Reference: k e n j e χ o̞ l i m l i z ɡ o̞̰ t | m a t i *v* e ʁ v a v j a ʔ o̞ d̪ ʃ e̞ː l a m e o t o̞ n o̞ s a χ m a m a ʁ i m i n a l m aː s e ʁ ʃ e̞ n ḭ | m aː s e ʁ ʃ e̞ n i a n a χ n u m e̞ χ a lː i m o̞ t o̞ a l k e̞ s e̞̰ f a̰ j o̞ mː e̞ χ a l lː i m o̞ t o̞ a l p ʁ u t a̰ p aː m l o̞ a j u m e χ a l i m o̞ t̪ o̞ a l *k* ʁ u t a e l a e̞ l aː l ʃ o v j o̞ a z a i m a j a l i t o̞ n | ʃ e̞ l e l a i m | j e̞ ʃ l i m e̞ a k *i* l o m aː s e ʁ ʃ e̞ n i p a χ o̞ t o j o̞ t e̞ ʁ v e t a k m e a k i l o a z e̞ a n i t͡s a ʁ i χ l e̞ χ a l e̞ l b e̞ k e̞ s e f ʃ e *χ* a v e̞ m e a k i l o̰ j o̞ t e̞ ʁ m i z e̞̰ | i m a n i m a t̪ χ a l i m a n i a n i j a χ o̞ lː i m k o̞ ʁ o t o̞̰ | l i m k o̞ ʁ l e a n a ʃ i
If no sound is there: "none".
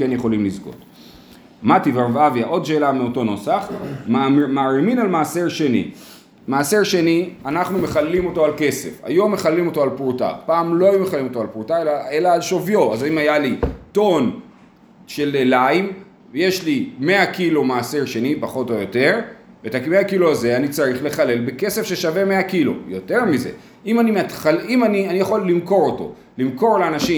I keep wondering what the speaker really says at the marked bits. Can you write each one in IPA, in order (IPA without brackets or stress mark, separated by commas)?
v, p, i, ʃ